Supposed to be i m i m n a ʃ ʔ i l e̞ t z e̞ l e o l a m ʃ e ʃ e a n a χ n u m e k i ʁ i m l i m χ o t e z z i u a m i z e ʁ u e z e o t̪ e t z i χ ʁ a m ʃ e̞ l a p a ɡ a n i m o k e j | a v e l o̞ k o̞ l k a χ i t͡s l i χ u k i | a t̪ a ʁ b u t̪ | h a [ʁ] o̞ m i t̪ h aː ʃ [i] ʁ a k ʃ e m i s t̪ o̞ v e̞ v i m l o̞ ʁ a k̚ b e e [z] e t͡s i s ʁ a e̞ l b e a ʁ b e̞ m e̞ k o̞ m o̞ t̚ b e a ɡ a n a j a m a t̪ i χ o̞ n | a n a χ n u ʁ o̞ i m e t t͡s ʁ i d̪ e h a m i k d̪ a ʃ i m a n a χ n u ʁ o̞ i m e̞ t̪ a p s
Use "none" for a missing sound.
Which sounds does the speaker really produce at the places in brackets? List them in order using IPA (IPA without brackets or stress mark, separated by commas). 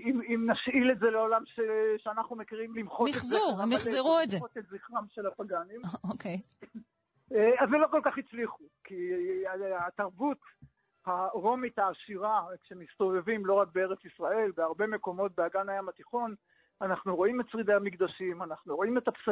ʁ, i, ʁ